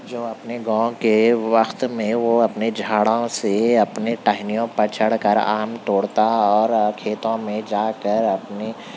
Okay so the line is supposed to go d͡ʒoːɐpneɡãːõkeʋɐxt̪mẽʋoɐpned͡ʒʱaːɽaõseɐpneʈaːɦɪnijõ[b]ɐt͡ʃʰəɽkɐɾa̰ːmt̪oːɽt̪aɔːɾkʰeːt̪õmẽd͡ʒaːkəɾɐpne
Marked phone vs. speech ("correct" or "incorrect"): incorrect